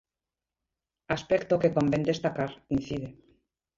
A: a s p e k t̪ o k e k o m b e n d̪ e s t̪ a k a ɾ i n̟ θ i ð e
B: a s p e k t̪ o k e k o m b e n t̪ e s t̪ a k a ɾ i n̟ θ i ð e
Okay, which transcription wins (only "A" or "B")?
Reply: A